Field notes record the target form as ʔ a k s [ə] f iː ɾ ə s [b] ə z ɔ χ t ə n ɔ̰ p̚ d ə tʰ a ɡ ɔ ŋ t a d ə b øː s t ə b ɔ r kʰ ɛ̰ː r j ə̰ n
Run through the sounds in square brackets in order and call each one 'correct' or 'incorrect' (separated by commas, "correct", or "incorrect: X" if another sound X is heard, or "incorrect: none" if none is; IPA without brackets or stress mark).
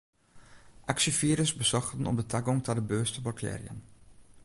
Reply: correct, correct